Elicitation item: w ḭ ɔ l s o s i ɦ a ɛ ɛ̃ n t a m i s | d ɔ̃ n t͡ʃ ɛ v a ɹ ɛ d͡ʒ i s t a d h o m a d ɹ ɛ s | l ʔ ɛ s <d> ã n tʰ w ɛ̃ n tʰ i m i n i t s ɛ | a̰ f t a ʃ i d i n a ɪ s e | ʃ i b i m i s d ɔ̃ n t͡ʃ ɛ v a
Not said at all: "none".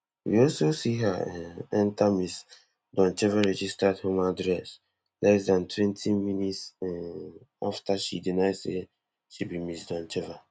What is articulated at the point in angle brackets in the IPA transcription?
d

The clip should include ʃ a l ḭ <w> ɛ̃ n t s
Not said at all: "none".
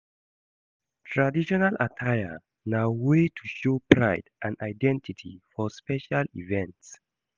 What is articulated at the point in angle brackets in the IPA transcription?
v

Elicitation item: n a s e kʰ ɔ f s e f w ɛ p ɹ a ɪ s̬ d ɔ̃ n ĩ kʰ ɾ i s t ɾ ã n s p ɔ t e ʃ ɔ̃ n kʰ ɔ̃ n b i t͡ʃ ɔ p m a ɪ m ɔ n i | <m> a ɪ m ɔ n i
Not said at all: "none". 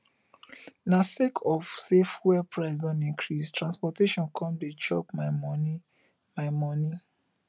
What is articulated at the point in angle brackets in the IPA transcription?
m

